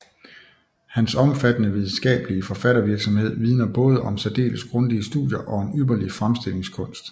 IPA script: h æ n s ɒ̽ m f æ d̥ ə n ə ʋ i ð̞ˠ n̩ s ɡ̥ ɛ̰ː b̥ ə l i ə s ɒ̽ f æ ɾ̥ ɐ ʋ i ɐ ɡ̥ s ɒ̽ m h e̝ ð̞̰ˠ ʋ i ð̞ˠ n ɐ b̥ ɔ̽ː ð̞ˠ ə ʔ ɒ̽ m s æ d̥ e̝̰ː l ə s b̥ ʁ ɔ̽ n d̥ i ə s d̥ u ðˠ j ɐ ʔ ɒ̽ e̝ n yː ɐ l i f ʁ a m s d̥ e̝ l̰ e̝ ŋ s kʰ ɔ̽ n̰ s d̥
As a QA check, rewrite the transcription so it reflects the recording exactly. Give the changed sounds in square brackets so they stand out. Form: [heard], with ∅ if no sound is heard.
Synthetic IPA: h æ n s ɒ̽ m f æ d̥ ə n ə ʋ i ð̞ˠ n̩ s ɡ̥ ɛ̰ː b̥ ə l i ə [f] ɒ̽ f æ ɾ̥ ɐ ʋ i ɐ ɡ̥ s ɒ̽ m h e̝ ð̞̰ˠ ʋ i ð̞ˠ n ɐ b̥ ɔ̽ː ð̞ˠ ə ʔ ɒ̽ m s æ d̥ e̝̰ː l ə s [ɡ̥] ʁ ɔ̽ n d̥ i ə s d̥ u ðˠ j ɐ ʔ ɒ̽ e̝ n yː ɐ l i f ʁ a m s d̥ e̝ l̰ e̝ ŋ s kʰ ɔ̽ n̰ s d̥

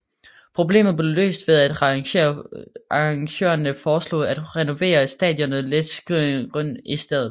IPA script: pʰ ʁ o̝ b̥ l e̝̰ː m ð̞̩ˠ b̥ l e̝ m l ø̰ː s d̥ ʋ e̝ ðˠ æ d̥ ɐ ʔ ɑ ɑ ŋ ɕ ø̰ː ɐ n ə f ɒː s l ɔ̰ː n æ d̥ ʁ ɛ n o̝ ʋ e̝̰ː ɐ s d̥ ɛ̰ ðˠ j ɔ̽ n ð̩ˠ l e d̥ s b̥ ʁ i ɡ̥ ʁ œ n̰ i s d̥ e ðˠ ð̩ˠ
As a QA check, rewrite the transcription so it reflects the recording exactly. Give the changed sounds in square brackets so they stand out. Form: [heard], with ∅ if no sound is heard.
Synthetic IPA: pʰ ʁ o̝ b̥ l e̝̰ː m ð̞̩ˠ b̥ l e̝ [∅] l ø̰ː s d̥ ʋ e̝ ðˠ æ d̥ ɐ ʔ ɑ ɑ ŋ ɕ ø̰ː ɐ n ə f ɒː s l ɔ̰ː [∅] æ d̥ ʁ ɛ n o̝ ʋ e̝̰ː ɐ s d̥ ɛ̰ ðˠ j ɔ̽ n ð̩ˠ l e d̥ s [ɡ̥] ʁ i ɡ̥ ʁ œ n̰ i s d̥ e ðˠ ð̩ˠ

